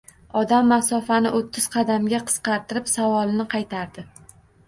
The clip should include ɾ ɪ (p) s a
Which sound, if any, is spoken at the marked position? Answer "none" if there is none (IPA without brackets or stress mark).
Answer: p